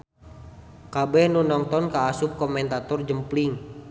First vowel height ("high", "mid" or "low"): low